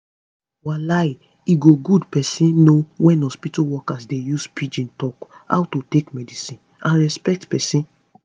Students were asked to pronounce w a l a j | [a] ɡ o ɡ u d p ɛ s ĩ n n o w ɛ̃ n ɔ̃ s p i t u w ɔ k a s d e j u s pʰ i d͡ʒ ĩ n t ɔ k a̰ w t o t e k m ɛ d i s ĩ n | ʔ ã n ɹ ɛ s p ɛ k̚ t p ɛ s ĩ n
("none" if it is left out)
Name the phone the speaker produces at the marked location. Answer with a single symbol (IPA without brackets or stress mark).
i